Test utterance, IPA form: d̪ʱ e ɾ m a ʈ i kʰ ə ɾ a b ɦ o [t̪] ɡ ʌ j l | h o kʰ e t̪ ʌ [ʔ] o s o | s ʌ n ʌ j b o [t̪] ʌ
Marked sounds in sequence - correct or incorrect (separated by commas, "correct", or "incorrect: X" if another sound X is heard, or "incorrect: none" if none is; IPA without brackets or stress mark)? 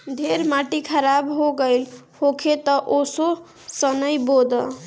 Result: incorrect: none, correct, incorrect: d̪